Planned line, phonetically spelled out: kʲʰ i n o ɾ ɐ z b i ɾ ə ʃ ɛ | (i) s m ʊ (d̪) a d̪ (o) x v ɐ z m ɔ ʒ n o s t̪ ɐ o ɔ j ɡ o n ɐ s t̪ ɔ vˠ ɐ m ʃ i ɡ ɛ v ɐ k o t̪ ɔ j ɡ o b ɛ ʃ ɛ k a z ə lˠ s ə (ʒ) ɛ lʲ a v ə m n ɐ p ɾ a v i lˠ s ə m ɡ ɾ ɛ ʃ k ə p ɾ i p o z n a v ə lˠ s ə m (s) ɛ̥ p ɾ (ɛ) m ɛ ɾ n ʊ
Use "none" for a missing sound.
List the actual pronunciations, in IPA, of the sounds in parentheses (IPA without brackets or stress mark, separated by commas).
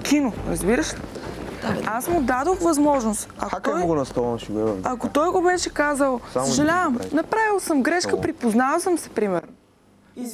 a, d̪, o, ʒ, s, i